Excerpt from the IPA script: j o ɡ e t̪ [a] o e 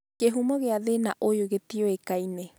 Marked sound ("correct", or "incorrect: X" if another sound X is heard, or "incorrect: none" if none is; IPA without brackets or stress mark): incorrect: i